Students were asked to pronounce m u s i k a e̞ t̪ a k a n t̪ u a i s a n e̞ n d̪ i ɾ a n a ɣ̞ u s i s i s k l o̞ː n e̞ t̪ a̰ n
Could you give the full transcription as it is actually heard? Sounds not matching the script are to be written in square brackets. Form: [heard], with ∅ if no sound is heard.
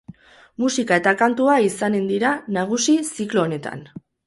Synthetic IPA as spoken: m u s i k a e̞ t̪ a k a n t̪ u a i s a n e̞ n d̪ i ɾ a n a ɣ̞ u s i s i [∅] k l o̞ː n e̞ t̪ a̰ n